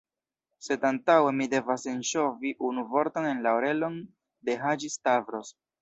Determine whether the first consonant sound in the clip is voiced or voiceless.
voiceless